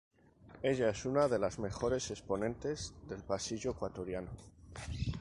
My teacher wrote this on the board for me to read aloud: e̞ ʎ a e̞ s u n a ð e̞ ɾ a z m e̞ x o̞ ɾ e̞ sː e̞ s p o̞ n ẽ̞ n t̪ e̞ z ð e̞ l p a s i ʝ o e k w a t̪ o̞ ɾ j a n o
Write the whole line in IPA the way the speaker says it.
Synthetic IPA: e̞ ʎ a e̞ s u n a ð e̞ l a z m e̞ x o̞ ɾ e̞ s e̞ s p o̞ n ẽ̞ n t̪ e̞ z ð e̞ l p a s i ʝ o e k w a t̪ o̞ ɾ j a n o